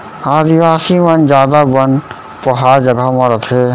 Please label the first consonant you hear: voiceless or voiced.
voiced